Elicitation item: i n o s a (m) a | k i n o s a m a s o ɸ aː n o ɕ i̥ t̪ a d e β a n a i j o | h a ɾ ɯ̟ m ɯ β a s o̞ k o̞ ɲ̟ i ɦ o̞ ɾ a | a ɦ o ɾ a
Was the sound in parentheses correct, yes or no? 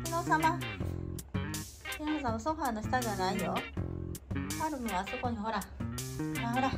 yes